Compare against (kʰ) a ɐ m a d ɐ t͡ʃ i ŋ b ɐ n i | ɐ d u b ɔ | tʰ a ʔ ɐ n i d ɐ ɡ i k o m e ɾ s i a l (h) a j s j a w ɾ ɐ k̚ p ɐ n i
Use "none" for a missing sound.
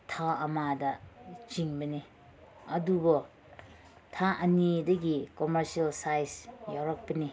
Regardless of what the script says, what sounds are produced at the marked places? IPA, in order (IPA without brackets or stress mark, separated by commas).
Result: tʰ, s